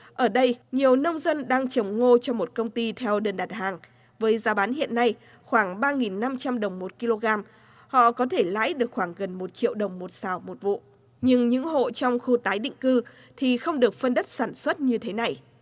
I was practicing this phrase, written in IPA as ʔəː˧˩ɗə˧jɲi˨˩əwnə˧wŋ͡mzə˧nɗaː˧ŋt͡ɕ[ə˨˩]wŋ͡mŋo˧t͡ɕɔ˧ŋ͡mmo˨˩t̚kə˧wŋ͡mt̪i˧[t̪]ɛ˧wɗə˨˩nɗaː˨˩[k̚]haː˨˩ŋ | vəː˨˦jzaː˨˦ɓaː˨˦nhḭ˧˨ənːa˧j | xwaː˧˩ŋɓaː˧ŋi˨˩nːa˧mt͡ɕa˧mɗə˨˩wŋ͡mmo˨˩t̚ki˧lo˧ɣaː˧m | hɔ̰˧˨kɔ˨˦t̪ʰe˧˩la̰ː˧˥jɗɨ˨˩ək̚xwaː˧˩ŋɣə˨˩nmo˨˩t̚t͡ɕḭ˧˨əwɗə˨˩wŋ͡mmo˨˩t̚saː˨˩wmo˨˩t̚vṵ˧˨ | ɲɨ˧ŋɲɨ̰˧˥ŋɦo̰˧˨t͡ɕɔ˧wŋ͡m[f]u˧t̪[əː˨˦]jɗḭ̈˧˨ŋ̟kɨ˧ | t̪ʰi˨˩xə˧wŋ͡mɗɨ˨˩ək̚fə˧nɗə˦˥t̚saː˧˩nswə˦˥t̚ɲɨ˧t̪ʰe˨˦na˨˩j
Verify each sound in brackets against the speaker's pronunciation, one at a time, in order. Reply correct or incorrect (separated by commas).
correct, incorrect, incorrect, incorrect, incorrect